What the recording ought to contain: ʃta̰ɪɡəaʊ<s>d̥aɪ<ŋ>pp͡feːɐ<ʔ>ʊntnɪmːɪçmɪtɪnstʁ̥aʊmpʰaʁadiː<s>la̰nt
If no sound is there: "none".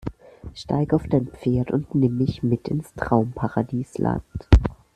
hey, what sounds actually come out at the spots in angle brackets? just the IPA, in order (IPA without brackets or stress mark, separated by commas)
f, n, t, s